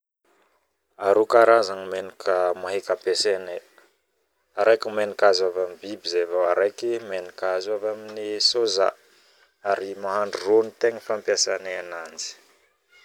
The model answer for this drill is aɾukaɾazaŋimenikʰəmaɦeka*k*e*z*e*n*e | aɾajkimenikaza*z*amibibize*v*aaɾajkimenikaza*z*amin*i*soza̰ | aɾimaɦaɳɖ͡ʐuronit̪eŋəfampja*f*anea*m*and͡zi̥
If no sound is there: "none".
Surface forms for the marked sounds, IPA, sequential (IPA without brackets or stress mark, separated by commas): p, s, n, v, v, v, i, s, n